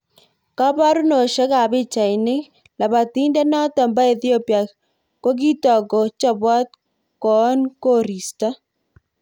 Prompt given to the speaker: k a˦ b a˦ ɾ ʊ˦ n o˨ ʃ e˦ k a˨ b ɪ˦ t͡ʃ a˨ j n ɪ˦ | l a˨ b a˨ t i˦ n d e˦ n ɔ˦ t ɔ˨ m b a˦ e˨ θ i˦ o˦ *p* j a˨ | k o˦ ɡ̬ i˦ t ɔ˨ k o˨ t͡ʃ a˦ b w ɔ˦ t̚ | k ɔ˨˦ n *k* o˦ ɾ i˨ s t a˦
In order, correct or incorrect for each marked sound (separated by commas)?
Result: correct, correct